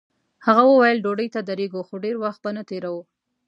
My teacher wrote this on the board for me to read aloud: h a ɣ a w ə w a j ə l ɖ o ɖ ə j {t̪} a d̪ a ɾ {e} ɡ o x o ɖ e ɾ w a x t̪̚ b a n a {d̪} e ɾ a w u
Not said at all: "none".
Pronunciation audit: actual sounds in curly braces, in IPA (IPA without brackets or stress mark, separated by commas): t̪, e, t̪